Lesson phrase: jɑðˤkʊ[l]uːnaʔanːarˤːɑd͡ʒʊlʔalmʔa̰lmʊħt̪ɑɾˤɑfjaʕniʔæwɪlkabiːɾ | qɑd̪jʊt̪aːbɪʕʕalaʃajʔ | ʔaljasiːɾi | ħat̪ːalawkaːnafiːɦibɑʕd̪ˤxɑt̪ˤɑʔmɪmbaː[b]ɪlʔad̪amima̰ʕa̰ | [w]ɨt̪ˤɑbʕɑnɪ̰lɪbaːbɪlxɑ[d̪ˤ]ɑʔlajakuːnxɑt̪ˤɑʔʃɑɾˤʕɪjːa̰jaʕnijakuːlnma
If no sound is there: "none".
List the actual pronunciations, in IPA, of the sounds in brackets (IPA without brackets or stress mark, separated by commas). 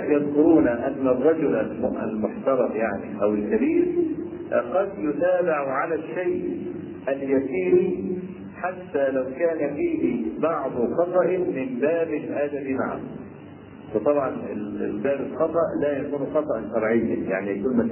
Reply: ɾ, b, w, t̪ˤ